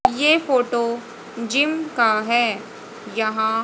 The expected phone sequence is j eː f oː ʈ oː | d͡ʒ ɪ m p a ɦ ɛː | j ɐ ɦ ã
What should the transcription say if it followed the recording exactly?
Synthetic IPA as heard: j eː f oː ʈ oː | d͡ʒ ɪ m k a ɦ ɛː | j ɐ ɦ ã